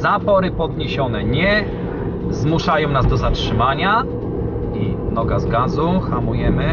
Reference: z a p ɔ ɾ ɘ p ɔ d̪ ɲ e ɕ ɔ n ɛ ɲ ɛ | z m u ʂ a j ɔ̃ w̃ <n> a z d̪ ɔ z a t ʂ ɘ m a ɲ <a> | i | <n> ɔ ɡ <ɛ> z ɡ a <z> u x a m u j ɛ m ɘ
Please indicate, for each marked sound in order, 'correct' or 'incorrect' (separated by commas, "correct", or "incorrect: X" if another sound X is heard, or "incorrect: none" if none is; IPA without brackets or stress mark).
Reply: correct, correct, correct, incorrect: a, correct